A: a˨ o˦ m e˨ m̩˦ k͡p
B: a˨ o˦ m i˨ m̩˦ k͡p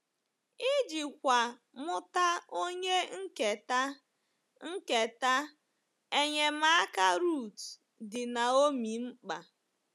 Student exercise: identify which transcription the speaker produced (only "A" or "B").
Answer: B